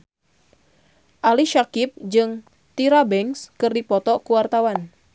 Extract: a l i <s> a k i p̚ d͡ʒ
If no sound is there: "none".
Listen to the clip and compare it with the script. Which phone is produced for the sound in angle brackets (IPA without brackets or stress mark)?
ʃ